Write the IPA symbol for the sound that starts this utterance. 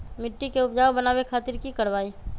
m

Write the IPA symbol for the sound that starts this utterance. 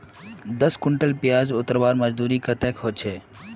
d̪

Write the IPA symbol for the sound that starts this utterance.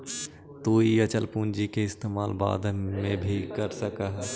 t̪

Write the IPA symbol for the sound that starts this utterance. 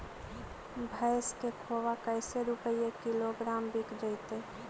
bʱ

